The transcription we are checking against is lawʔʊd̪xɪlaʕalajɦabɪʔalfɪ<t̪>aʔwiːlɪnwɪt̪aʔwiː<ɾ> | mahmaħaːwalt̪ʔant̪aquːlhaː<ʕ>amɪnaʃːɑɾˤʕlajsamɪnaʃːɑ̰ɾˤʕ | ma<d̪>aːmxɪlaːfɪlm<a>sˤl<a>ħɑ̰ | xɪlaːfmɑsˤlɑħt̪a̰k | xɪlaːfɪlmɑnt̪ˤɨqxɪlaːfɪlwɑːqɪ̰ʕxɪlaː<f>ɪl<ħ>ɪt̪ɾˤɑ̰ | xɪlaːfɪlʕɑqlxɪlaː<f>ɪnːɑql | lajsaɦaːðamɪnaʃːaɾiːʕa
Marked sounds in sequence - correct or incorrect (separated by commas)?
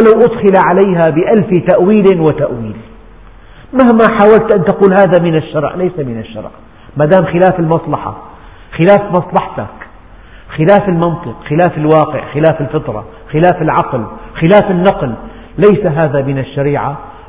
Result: correct, incorrect, incorrect, correct, incorrect, incorrect, correct, incorrect, correct